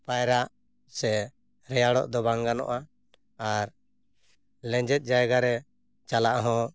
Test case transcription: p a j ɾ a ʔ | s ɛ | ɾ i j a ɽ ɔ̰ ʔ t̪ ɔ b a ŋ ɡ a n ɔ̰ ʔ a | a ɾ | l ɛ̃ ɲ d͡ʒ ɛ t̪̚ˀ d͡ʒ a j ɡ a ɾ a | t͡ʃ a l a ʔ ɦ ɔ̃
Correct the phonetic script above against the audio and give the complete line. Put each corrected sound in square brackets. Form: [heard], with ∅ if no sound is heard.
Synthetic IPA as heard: p a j ɾ a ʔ | s ɛ | ɾ [ɛ] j a ɽ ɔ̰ ʔ [d̪] ɔ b a ŋ ɡ a n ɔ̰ ʔ a | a ɾ | l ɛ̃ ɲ d͡ʒ ɛ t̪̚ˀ d͡ʒ a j ɡ a ɾ [ɛ] | t͡ʃ a l a ʔ ɦ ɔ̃

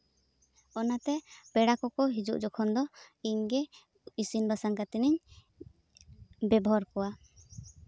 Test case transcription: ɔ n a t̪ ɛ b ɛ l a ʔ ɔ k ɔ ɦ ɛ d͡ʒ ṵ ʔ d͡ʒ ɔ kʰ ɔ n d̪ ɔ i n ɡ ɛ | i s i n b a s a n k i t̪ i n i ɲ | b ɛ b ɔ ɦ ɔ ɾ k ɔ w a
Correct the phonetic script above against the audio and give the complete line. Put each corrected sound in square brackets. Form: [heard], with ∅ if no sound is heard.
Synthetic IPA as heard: ɔ n a t̪ ɛ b ɛ [ɽ] a [k] ɔ k ɔ ɦ [i] d͡ʒ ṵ ʔ d͡ʒ ɔ kʰ ɔ n d̪ ɔ i [ɲ] ɡ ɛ | i s i n b a s a [ŋ] k [a] t̪ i n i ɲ | b ɛ b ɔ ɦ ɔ ɾ k ɔ w a

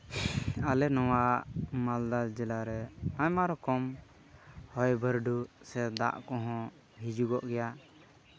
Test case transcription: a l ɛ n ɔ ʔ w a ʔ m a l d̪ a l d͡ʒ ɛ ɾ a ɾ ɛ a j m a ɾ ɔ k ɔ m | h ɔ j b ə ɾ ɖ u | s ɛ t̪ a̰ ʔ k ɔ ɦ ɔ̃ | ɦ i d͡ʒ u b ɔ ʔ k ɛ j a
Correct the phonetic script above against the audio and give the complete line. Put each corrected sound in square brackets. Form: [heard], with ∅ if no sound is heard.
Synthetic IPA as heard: a l ɛ n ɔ [∅] w a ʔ m a l d̪ a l d͡ʒ ɛ [l] a ɾ ɛ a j m a ɾ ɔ k ɔ m | h ɔ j b ə ɾ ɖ u | s ɛ [d̪] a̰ ʔ k ɔ ɦ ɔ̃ | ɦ i d͡ʒ u [ɡ] ɔ ʔ [ɡ] ɛ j a

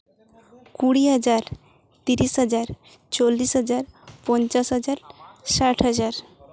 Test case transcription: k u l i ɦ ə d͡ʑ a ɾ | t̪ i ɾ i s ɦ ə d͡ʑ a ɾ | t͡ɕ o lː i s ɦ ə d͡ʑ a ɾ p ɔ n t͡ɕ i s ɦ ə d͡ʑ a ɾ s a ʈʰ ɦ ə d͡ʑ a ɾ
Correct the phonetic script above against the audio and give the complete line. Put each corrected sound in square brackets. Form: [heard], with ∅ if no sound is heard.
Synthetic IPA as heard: k u [ɽ] i ɦ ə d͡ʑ a ɾ | t̪ i ɾ i s ɦ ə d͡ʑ a ɾ | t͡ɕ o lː i s ɦ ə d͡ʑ a ɾ p ɔ n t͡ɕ [a] s ɦ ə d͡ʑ a ɾ s a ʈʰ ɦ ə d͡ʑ a ɾ

